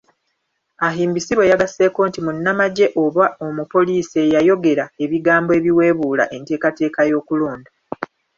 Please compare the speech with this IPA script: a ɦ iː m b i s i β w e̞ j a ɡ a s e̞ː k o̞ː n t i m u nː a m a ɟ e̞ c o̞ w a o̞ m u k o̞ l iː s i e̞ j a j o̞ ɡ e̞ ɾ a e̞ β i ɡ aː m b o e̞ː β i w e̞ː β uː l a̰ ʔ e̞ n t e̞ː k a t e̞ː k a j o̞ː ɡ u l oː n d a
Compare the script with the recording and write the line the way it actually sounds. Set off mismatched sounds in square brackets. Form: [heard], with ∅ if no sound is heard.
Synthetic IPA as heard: a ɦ iː m b i s i β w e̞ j a ɡ a s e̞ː k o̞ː n t i m u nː a m a ɟ e̞ [ʔ] o̞ [β] a o̞ m u [p] o̞ l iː s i e̞ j a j o̞ ɡ e̞ ɾ a e̞ β i ɡ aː m b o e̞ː β i w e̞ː β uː l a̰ ʔ e̞ n t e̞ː k a t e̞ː k a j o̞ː [k] u l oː n d a